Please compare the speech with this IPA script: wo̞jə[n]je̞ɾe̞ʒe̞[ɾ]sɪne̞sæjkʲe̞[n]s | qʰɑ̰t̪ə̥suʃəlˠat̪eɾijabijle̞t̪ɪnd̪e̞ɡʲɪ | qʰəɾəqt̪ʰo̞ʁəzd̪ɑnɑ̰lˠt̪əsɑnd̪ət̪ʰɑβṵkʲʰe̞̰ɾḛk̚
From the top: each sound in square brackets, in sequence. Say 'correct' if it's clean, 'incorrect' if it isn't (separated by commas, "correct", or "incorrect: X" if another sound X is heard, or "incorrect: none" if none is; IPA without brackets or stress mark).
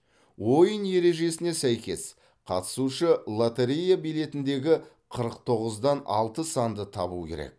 correct, incorrect: none, incorrect: none